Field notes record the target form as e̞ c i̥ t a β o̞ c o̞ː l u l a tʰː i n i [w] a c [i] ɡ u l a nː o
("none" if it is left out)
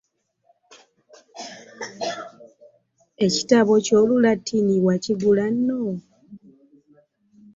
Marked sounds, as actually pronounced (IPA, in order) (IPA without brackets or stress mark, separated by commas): w, i